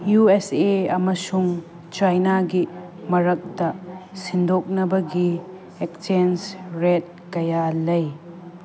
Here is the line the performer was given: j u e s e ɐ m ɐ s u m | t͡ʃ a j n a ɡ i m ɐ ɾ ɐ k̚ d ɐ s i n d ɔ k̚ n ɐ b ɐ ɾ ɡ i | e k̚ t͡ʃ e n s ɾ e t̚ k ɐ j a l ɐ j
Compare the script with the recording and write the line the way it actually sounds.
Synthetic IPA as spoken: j u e s e ɐ m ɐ s u ŋ | t͡ʃ a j n a ɡ i m ɐ ɾ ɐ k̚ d ɐ s i n d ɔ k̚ n ɐ b ɐ ɡ i | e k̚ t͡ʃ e n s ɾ e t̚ k ɐ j a l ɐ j